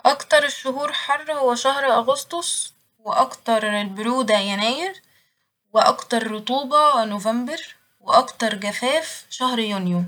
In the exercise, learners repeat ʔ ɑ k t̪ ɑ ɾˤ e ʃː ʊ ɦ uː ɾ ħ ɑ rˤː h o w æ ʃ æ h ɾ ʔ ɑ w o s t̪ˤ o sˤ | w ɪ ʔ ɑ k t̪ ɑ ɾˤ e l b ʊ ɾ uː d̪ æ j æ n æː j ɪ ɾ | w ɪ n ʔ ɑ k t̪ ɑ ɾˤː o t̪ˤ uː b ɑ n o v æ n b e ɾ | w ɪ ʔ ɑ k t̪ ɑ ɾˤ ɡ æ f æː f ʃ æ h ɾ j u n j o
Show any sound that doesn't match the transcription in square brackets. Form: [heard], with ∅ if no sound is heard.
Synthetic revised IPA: ʔ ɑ k t̪ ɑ ɾˤ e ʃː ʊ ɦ uː ɾ ħ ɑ rˤː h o w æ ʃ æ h ɾ ʔ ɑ [ɣ] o s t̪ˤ o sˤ | w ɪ ʔ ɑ k t̪ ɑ ɾˤ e l b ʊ ɾ uː d̪ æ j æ n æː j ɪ ɾ | w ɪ [∅] ʔ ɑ k t̪ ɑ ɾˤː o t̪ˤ uː b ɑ n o v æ [m] b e ɾ | w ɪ ʔ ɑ k t̪ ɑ ɾˤ ɡ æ f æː f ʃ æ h ɾ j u n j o